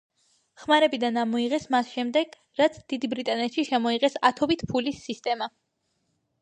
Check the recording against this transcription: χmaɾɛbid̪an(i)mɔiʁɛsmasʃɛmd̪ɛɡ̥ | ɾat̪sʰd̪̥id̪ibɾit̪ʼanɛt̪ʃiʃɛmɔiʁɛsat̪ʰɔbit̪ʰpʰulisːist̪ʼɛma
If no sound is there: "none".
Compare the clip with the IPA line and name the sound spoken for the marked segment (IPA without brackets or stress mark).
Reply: a